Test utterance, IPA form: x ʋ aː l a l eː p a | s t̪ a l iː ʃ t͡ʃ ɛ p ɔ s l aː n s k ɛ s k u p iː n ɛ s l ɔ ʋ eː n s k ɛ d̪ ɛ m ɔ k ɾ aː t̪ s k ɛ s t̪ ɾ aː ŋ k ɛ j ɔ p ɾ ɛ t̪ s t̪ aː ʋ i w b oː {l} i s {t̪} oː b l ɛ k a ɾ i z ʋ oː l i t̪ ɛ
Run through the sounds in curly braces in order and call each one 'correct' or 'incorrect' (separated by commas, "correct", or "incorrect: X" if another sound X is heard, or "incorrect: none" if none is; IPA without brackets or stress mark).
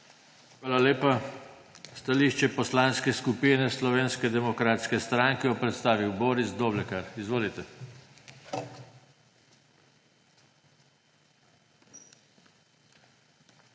incorrect: ɾ, incorrect: d̪